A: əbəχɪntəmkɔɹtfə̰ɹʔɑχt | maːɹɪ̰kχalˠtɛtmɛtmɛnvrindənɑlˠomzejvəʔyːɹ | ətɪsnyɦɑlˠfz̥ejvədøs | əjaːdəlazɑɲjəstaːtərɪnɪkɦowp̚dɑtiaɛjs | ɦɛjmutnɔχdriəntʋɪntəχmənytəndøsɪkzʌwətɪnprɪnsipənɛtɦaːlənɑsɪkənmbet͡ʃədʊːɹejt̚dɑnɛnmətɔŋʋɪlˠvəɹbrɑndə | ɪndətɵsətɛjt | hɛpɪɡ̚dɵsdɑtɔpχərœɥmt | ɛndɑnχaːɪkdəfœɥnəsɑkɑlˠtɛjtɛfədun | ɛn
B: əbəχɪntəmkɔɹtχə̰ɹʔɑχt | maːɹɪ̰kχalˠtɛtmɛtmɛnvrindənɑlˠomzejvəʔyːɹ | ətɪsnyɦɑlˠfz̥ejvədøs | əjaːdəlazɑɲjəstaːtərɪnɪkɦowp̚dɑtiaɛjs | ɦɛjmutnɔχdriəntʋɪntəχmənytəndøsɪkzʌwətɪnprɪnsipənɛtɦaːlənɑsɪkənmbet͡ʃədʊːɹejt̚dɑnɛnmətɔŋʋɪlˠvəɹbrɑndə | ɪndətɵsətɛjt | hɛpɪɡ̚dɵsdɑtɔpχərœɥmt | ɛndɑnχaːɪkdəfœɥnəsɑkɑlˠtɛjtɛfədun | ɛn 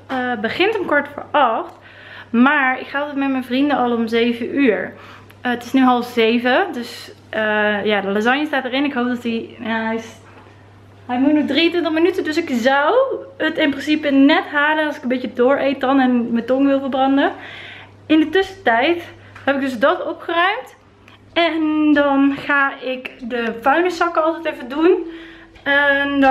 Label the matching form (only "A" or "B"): A